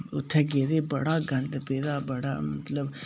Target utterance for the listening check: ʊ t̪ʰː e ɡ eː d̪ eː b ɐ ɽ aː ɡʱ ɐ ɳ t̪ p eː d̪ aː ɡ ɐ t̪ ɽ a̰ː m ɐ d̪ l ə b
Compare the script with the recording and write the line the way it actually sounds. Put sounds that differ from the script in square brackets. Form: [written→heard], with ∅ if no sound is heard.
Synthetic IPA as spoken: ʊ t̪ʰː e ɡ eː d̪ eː b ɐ ɽ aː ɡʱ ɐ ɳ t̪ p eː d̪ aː [ɡ→b] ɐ [t̪→∅] ɽ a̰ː m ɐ [d̪→t̪] l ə b

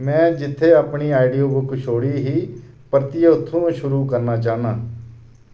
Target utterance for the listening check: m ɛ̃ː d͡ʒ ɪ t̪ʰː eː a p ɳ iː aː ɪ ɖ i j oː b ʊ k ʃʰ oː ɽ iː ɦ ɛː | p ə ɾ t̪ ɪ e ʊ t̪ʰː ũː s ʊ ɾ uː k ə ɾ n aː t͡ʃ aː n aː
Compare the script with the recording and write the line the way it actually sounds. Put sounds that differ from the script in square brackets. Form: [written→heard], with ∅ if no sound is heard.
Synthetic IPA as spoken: m ɛ̃ː d͡ʒ ɪ t̪ʰː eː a p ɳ iː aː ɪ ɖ i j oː b ʊ k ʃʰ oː ɽ iː ɦ [ɛː→iː] | p ə ɾ t̪ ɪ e ʊ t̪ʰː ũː [s→ʃ] ʊ ɾ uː k ə ɾ n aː t͡ʃ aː n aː

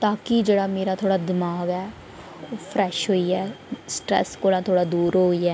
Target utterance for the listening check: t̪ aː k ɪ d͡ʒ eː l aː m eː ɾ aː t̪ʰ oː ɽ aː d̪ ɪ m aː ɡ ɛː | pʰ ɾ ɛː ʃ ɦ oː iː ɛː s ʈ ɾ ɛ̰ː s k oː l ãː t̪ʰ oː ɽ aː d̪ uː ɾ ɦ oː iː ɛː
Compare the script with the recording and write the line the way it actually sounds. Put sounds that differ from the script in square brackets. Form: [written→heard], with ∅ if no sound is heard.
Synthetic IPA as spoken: t̪ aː k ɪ d͡ʒ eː [l→ɽ] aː m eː ɾ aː t̪ʰ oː ɽ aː d̪ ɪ m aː ɡ ɛː | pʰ ɾ ɛː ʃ ɦ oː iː ɛː s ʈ ɾ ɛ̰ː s k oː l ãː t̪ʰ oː ɽ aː d̪ uː ɾ ɦ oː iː ɛː

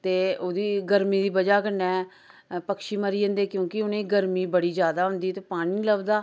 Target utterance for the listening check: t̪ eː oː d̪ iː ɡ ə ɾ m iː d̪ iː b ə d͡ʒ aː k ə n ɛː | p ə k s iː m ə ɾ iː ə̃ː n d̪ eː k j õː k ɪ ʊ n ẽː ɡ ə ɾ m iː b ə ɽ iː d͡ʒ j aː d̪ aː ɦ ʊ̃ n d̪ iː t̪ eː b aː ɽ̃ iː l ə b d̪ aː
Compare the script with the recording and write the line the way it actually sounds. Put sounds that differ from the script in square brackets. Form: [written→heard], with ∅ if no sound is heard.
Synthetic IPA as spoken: t̪ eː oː d̪ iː ɡ ə ɾ m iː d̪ iː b ə d͡ʒ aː k ə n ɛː | p ə k [s→ʃ] iː m ə ɾ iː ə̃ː n d̪ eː k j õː k ɪ ʊ n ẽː ɡ ə ɾ m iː b ə ɽ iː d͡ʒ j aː d̪ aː ɦ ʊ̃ n d̪ iː t̪ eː [b→p] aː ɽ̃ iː l ə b d̪ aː

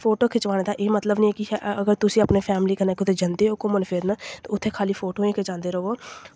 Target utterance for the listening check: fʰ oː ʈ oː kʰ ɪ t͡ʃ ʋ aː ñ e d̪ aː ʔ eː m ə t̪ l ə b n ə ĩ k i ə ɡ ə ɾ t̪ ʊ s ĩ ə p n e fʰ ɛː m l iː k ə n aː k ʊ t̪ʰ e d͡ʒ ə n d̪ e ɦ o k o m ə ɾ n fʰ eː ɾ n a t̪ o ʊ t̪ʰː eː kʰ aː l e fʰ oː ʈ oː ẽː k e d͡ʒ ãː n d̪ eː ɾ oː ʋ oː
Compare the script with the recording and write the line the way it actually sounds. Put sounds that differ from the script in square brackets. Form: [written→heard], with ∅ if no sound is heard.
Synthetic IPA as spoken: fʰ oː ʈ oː kʰ ɪ t͡ʃ ʋ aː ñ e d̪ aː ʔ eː m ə t̪ l ə b n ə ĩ k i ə ɡ ə ɾ t̪ ʊ s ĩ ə p n e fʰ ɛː m l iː k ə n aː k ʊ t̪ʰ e d͡ʒ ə n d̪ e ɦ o k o m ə [ɾ→∅] n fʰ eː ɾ n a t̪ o ʊ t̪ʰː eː kʰ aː l [e→i] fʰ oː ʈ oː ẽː k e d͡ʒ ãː n d̪ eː ɾ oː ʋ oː

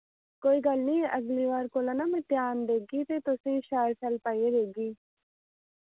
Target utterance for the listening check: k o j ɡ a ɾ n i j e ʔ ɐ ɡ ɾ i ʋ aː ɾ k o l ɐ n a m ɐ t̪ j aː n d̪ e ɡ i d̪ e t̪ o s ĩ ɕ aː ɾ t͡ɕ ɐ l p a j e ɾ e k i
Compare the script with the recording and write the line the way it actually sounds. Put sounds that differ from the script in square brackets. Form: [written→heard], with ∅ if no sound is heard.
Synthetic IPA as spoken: k o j ɡ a [ɾ→l] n i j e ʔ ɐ ɡ [ɾ→l] i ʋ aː ɾ k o l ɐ n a m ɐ t̪ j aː n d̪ e ɡ i [d̪→t̪] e t̪ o s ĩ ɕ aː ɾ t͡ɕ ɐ l p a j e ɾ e [k→ɡ] i

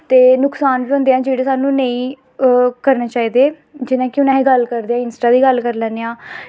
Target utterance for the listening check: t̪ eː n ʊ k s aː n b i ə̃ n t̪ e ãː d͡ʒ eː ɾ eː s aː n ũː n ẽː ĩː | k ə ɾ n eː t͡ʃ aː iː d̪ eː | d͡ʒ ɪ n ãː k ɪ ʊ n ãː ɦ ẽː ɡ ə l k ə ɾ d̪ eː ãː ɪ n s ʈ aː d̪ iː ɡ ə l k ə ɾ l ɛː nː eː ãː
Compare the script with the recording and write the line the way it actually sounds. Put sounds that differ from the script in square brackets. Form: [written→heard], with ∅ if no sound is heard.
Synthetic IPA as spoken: t̪ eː n ʊ k s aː n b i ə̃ n [t̪→d̪] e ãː d͡ʒ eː [ɾ→ɽ] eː s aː n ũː n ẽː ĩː | k ə ɾ n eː t͡ʃ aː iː d̪ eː | d͡ʒ ɪ n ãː k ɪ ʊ n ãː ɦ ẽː ɡ ə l k ə ɾ d̪ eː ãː ɪ n s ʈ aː d̪ iː ɡ ə l k ə ɾ l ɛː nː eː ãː

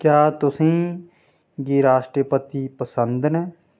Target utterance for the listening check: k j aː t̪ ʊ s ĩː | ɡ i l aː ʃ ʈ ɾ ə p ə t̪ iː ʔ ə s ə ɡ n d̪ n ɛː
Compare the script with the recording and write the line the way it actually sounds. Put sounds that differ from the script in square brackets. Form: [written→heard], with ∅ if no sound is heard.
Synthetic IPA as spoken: k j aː t̪ ʊ s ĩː | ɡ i [l→ɾ] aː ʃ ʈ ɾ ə p ə t̪ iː [ʔ→p] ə s ə [ɡ→∅] n d̪ n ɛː

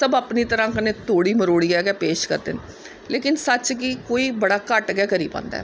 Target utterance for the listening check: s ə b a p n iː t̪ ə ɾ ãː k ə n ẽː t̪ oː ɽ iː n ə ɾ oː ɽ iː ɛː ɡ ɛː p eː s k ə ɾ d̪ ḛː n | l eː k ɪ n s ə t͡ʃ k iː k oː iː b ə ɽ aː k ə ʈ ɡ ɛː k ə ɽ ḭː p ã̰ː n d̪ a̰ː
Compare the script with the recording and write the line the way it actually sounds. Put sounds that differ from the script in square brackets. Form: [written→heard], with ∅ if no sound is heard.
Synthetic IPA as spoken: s ə b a p n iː t̪ ə ɾ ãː k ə n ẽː t̪ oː ɽ iː [n→m] ə ɾ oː ɽ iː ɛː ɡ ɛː p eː [s→ʃ] k ə ɾ d̪ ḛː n | l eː k ɪ n s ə t͡ʃ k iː k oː iː b ə ɽ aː k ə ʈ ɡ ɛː k ə [ɽ→ɾ] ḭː p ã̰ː n d̪ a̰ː

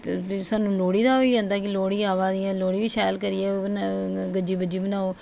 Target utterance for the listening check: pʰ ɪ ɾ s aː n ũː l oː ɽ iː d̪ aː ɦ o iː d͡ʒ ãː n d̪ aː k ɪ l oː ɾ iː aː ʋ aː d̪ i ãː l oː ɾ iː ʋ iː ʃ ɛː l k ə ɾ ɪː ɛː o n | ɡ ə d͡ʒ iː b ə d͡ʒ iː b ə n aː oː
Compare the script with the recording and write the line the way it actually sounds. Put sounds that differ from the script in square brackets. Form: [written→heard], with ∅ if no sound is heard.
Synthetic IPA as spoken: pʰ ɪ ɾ s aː n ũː l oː ɽ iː d̪ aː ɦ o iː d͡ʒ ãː n d̪ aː k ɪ l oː [ɾ→ɽ] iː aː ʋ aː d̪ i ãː l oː [ɾ→ɽ] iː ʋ iː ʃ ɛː l k ə ɾ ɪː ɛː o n | ɡ ə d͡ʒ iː b ə d͡ʒ iː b ə n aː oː

